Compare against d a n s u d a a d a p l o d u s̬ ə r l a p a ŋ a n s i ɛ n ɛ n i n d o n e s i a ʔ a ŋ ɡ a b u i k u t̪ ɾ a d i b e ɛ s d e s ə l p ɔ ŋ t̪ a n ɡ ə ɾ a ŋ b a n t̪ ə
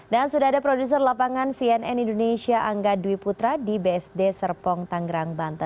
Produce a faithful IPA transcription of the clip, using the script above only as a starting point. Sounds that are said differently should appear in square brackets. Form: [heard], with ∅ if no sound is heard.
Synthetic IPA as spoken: d a n s u d a a d a p [ɾ] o d u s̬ ə r l a p a ŋ a n s i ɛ n ɛ n i n d o n e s i a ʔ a ŋ ɡ a [d] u i [p] u t̪ ɾ a d i b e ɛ s d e s ə [r] p ɔ ŋ t̪ a [ŋ] ɡ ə ɾ a ŋ b a n t̪ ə

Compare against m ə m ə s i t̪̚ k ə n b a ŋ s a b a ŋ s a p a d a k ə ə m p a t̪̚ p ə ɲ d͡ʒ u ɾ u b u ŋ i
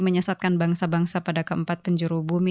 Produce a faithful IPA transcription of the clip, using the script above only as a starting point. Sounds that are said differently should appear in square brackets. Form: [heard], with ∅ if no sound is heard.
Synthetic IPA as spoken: m ə [ɲ] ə s [a] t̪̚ k [a] n b a ŋ s a b a ŋ s a p a d a k ə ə m p a t̪̚ p ə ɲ d͡ʒ u ɾ u b u [m] i

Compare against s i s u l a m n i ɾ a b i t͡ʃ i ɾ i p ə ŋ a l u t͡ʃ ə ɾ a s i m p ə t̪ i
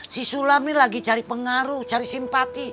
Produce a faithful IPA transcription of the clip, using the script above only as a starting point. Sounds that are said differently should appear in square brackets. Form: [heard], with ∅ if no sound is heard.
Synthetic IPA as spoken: s i s u l a m n i [l] a [ɡ] i t͡ʃ [a] ɾ i p ə ŋ a [ɾ] u t͡ʃ [a] ɾ [i] s i m p [a] t̪ i

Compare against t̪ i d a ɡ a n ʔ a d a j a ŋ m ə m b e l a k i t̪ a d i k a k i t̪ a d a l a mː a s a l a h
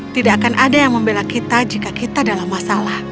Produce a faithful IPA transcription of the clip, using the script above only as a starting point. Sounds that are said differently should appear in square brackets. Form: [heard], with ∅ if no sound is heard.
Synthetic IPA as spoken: t̪ i d a [k] a n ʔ a d a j a ŋ m ə m b e l a k i t̪ a [d͡ʒ] i k a k i t̪ a d a l a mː a s a l a h

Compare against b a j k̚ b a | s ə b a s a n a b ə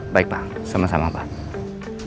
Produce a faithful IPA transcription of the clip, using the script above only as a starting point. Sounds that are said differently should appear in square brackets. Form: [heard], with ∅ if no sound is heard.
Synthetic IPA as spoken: b a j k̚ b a | s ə [m] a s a [m] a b [a]

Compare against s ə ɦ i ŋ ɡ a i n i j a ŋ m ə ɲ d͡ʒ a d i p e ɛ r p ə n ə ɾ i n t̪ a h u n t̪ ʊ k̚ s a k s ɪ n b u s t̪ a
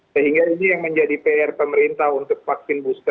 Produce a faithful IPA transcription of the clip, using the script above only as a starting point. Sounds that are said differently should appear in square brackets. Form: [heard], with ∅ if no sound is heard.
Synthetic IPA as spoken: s ə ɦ i ŋ ɡ a i n i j a ŋ m ə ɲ d͡ʒ a d i p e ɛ r p ə [m] ə ɾ i n t̪ a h u n t̪ ʊ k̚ [f] a k s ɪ n b u s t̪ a

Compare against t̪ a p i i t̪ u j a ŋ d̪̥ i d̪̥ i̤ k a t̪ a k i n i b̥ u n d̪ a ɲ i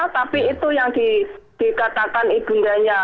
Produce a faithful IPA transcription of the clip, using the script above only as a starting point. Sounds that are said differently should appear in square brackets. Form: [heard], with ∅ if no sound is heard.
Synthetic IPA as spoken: t̪ a p i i t̪ u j a ŋ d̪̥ i d̪̥ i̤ k a t̪ a k [a] n i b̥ u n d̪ a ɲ [a]

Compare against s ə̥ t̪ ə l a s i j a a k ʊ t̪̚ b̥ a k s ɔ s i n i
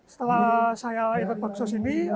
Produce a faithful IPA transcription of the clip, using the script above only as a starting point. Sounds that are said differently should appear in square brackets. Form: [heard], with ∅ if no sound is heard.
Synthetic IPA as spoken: s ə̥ t̪ ə l a s [a] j a [i] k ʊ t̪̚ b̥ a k s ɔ s i n i

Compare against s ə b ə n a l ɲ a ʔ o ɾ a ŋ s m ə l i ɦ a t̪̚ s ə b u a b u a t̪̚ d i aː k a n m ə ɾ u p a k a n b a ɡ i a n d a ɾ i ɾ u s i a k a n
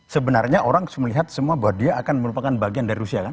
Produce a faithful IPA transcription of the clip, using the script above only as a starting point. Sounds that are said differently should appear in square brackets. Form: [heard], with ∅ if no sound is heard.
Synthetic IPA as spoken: s ə b ə n a [r] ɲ a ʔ o ɾ a ŋ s m ə l i ɦ a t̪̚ s ə [m] u a b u a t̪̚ d i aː k a n m ə ɾ u p a k a n b a ɡ i a n d a ɾ i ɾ u s i a k a n

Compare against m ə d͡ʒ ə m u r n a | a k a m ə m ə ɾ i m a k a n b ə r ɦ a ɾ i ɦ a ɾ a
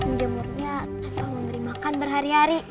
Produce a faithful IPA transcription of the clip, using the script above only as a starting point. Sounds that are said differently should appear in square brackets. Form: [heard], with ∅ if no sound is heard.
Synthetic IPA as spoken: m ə d͡ʒ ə m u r [ɲ] a | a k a m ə m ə ɾ i m a k a n b ə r ɦ a ɾ i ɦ a ɾ [i]

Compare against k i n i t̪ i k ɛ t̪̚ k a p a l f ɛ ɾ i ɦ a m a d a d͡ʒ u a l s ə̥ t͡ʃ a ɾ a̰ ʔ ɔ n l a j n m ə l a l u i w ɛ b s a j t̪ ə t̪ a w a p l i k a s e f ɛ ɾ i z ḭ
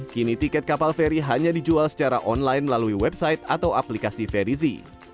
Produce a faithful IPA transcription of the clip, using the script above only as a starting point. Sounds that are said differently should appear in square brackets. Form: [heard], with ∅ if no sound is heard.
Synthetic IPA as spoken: k i n i t̪ i k ɛ t̪̚ k a p a l f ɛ ɾ i ɦ a [ɲ] a d [i] d͡ʒ u a l s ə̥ t͡ʃ a ɾ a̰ ʔ ɔ n l a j n m ə l a l u i w ɛ b s a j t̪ [a] t̪ a w a p l i k a s [i] f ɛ ɾ i z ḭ

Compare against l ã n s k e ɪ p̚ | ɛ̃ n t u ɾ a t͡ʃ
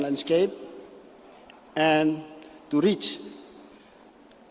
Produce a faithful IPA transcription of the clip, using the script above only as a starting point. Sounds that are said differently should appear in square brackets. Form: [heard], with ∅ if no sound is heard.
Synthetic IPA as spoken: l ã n s k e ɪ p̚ | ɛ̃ n t u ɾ [i] t͡ʃ

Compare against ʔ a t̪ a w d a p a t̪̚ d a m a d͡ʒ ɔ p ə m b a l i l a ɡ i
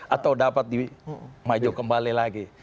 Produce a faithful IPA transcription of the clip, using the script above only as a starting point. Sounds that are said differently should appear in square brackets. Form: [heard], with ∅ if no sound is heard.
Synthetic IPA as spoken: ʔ a t̪ a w d a p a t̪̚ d [i] m a d͡ʒ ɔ [k] ə m b a l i l a ɡ i

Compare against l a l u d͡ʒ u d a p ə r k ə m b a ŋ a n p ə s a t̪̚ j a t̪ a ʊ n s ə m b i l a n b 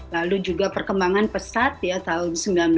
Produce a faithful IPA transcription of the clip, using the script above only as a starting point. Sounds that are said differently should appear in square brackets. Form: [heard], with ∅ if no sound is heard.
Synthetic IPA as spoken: l a l u d͡ʒ u [ɡ] a p ə r k ə m b a ŋ a n p ə s a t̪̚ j a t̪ a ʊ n s ə m b i l a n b

